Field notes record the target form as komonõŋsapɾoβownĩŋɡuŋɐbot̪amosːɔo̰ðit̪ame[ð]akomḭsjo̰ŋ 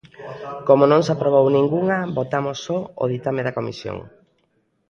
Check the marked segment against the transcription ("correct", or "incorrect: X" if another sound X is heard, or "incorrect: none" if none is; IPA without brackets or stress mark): correct